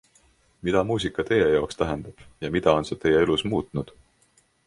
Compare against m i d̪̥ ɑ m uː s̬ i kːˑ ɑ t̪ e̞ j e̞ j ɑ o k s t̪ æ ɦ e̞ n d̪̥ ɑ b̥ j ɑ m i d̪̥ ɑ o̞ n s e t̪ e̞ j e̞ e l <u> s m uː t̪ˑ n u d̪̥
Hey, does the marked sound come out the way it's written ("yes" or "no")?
yes